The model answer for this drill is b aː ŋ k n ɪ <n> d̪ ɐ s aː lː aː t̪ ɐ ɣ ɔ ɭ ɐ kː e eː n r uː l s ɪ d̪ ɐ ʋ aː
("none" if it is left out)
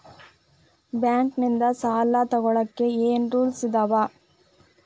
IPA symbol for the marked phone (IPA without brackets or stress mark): n